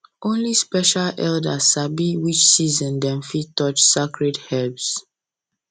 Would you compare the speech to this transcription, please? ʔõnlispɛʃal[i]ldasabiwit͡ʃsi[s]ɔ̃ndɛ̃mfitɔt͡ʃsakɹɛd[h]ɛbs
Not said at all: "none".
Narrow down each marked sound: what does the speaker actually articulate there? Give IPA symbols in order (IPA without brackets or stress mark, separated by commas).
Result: ɛ, z, h